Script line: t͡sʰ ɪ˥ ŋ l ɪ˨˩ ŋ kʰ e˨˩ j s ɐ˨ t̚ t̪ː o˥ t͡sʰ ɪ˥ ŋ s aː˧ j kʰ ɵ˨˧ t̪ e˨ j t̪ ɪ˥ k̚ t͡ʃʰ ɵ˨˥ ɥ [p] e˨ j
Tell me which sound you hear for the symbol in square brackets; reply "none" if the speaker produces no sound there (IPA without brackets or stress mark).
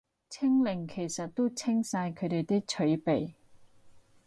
p